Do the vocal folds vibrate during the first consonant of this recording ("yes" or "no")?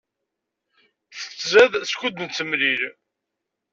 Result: no